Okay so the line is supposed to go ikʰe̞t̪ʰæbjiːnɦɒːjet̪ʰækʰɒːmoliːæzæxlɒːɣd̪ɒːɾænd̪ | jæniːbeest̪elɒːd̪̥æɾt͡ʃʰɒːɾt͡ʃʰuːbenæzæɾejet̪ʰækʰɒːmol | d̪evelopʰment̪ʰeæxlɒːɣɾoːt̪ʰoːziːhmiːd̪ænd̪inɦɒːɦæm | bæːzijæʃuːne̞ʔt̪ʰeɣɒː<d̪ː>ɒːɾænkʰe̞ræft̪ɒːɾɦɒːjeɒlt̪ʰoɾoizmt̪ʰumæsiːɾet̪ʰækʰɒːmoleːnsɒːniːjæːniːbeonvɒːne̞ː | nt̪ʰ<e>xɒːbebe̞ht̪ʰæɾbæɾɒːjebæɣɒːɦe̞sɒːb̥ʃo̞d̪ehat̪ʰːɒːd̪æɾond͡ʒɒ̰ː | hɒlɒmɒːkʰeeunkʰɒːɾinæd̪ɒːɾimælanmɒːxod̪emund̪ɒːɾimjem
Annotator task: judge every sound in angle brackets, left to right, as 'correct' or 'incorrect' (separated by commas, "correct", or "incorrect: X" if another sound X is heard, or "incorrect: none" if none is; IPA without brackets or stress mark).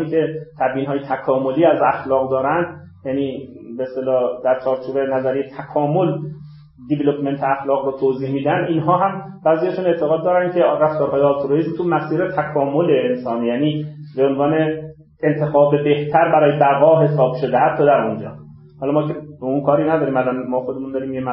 correct, correct